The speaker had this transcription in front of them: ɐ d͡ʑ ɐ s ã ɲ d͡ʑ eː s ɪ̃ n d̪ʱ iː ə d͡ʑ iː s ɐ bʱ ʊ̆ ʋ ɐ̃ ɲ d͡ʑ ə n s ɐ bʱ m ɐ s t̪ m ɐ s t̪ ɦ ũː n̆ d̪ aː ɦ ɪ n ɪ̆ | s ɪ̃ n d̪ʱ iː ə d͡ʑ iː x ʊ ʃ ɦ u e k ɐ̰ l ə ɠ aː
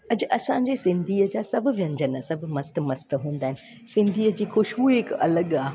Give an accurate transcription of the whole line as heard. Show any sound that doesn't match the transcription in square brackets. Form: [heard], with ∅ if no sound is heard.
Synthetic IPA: ɐ d͡ʑ ɐ s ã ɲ d͡ʑ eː s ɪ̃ n d̪ʱ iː ə d͡ʑ [aː] s ɐ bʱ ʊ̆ ʋ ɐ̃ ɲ d͡ʑ ə n s ɐ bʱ m ɐ s t̪ m ɐ s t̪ ɦ ũː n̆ d̪ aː ɦ ɪ n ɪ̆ | s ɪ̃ n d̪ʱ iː ə d͡ʑ iː x ʊ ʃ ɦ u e k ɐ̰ l ə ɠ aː

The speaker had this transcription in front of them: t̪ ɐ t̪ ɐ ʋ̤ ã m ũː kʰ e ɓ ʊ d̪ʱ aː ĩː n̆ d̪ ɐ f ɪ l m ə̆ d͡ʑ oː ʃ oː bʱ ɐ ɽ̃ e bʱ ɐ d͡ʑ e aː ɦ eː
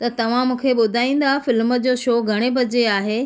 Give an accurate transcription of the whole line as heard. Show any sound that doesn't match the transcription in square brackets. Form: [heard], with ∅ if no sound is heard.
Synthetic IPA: t̪ ɐ t̪ ɐ ʋ̤ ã m ũː kʰ e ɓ ʊ d̪ʱ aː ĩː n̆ d̪ [a] f ɪ l m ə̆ d͡ʑ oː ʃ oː [ɡʱ] ɐ ɽ̃ e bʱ ɐ d͡ʑ e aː ɦ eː

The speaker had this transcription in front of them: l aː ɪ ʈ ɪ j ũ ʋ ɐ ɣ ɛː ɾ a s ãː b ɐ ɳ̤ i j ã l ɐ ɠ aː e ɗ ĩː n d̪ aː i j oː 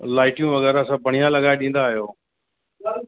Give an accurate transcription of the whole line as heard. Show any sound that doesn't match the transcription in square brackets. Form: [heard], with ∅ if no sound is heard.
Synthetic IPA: l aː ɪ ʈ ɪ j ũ ʋ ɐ ɣ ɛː ɾ a s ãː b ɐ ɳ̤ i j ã l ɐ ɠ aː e ɗ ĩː n d̪ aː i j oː

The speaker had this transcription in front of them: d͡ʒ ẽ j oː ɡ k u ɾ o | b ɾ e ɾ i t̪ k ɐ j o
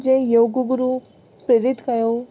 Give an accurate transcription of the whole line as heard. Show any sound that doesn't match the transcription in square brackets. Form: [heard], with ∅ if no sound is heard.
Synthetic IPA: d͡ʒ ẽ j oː ɡ [ɡ] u ɾ [u] | [p] ɾ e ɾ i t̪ k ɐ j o

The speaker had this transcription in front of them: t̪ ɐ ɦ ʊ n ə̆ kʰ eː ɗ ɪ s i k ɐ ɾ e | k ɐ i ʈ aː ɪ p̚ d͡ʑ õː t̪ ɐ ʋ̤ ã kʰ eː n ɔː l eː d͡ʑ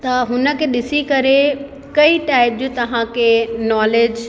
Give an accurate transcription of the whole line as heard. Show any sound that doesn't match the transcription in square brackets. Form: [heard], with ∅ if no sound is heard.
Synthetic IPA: t̪ ɐ ɦ ʊ n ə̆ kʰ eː ɗ ɪ s i k ɐ ɾ e | k ɐ i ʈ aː ɪ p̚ d͡ʑ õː t̪ ɐ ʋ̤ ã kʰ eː n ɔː l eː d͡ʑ

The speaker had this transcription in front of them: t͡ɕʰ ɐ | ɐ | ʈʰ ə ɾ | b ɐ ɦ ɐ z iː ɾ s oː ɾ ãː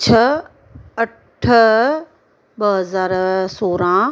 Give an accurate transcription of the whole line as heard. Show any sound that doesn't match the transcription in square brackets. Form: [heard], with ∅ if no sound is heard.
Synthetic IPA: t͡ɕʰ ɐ | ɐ | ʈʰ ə [∅] | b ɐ ɦ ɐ z [aː] ɾ s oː ɾ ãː

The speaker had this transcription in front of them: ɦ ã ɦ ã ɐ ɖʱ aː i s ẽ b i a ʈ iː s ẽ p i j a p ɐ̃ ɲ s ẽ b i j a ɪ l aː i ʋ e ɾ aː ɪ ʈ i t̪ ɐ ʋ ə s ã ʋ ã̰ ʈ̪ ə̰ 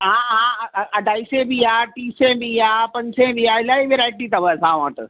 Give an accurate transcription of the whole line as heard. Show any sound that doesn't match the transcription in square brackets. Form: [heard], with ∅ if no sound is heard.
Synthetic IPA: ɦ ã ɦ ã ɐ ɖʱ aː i s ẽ b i a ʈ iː s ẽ [b] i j a p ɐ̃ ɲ s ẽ b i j a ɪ l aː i ʋ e ɾ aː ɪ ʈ i t̪ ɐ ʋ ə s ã ʋ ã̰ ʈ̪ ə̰

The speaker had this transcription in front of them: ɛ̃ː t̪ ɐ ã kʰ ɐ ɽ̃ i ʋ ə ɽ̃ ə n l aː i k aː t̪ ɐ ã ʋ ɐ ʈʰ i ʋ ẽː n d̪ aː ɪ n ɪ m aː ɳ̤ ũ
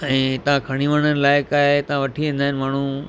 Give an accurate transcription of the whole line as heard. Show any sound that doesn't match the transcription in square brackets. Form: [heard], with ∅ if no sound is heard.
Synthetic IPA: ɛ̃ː t̪ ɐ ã kʰ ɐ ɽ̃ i ʋ ə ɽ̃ ə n l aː [ɪ] k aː t̪ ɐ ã ʋ ɐ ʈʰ i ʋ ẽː n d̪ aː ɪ n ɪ m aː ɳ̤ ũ

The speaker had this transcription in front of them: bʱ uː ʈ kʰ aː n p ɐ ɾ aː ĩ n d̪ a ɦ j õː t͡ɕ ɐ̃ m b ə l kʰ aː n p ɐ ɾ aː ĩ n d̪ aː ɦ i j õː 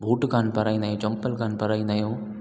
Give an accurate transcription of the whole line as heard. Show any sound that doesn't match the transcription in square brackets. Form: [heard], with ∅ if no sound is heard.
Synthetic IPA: bʱ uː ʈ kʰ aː n p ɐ ɾ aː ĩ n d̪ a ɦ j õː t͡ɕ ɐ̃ m [p] ə l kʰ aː n p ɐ ɾ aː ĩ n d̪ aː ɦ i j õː

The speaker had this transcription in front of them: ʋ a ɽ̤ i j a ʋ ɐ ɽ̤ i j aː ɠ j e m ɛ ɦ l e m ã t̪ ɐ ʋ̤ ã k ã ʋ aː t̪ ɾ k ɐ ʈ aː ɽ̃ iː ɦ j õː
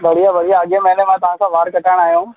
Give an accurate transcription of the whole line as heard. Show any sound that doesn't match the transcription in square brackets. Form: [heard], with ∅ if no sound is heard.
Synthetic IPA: ʋ [ɐ] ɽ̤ i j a ʋ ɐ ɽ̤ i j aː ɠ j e m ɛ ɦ l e m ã t̪ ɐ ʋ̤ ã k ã ʋ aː [∅] ɾ k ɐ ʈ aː ɽ̃ [aː] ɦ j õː

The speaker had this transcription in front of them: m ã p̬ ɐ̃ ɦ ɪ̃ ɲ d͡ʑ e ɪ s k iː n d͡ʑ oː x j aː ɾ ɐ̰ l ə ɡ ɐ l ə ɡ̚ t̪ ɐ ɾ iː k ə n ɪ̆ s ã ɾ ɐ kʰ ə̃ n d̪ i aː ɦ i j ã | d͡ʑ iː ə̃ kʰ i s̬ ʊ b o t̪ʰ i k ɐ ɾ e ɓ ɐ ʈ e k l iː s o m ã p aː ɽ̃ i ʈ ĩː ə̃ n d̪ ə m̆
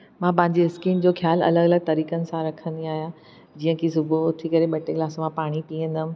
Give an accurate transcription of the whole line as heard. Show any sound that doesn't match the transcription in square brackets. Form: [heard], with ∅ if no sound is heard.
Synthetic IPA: m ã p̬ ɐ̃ ɦ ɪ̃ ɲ d͡ʑ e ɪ s k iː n d͡ʑ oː x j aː [l] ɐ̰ l ə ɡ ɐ l ə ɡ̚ t̪ ɐ ɾ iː k ə n ɪ̆ s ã ɾ ɐ kʰ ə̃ n d̪ i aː ɦ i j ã | d͡ʑ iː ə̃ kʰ i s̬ ʊ b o t̪ʰ i k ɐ ɾ e ɓ ɐ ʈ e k l [aː] s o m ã p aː ɽ̃ i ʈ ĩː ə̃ n d̪ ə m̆

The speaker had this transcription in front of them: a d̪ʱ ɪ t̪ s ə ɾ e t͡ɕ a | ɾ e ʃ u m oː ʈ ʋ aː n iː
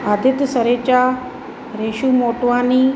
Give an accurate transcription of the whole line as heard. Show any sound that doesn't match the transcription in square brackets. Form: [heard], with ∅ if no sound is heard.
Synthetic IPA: a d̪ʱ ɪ t̪ s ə ɾ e t͡ɕ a | ɾ e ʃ u m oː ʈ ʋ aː n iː

